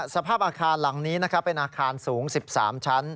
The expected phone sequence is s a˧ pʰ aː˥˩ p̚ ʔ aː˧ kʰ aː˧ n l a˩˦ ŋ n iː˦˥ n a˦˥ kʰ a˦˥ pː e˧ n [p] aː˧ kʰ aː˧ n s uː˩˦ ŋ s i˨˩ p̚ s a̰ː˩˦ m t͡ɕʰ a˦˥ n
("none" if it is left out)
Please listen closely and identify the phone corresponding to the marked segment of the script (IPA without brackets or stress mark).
ʔ